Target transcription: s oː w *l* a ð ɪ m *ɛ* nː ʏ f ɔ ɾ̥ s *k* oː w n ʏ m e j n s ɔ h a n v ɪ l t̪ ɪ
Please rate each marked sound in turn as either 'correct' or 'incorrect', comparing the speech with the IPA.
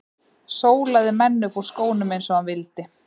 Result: correct, correct, correct

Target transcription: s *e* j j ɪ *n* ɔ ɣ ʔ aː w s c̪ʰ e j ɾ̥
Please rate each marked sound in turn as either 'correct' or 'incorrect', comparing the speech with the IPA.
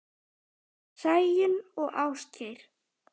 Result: incorrect, correct

